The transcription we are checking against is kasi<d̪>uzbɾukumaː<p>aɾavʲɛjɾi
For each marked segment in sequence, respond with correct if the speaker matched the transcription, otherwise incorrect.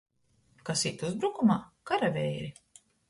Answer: incorrect, incorrect

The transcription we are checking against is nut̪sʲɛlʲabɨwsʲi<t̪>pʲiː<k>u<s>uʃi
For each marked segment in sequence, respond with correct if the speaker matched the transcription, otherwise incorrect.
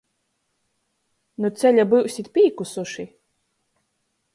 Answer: correct, correct, correct

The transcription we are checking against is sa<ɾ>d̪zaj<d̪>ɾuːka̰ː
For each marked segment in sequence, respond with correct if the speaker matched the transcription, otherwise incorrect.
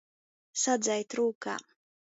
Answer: incorrect, incorrect

